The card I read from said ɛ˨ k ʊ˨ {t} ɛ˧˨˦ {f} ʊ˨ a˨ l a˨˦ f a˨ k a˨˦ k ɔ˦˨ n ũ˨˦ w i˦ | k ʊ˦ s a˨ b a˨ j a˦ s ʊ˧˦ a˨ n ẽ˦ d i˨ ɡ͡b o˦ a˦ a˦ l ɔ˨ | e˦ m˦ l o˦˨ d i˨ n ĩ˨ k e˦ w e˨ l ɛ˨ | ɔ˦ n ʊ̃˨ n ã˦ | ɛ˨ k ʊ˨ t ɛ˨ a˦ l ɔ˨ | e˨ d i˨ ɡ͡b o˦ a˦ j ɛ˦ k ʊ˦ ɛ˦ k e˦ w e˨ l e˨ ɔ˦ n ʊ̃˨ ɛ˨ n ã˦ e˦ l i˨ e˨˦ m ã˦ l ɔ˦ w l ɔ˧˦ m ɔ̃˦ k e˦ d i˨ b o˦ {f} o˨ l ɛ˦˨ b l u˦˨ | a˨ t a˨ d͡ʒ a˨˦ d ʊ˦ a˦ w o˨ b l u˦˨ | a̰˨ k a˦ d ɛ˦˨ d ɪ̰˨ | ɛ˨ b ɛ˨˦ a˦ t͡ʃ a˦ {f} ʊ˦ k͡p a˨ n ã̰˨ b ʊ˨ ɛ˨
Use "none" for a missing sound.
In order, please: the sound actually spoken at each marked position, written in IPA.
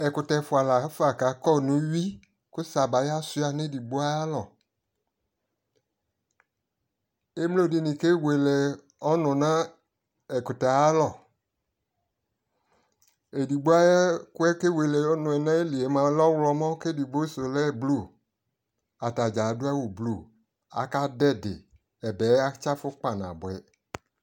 t, f, s, f

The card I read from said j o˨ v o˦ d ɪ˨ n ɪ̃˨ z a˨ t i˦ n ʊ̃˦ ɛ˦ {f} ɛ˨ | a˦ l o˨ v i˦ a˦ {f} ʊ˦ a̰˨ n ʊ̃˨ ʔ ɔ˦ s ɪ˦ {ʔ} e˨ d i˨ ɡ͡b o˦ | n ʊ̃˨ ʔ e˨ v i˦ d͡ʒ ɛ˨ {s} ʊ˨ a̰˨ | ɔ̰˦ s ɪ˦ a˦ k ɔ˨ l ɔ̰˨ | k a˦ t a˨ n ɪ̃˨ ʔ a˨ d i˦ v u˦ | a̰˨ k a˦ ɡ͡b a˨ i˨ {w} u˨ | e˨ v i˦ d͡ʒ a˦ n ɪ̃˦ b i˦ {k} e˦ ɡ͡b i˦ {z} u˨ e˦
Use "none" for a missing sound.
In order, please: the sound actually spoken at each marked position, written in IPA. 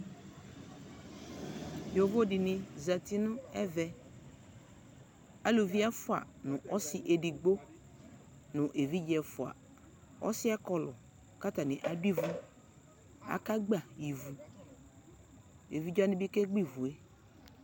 v, f, ʔ, f, v, k, v

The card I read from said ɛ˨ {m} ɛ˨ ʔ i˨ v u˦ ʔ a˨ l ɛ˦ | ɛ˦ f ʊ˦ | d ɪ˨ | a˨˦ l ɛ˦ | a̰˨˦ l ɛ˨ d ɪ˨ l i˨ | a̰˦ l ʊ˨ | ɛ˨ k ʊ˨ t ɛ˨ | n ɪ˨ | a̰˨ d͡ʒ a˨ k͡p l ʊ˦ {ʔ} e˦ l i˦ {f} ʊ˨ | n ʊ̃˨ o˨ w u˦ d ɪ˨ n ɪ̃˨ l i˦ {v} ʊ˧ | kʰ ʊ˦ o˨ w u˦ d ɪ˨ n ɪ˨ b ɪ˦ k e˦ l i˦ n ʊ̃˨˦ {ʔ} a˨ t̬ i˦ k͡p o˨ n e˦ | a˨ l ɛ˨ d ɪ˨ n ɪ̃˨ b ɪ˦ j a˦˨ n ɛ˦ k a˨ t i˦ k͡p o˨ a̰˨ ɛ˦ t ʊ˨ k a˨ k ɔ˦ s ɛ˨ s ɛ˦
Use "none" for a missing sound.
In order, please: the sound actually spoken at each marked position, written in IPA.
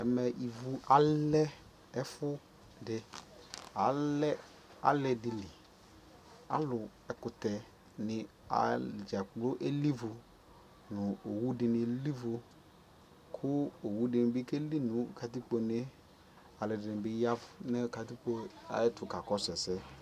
m, ʔ, v, v, k

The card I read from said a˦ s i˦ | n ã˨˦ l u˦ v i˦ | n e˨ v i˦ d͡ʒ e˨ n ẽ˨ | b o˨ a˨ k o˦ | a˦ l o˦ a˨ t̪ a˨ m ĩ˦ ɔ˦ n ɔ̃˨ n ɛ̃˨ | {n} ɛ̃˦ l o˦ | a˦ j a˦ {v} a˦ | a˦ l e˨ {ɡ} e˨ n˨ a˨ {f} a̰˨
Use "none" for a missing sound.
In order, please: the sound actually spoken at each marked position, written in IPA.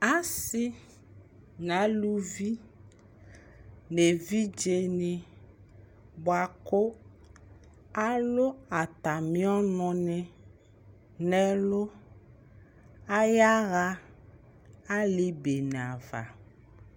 n, ɣ, b, v

